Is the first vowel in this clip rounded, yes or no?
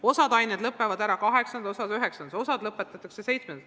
yes